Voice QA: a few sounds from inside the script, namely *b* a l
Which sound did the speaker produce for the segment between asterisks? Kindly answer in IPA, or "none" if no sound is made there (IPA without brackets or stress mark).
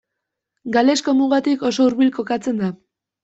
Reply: ɡ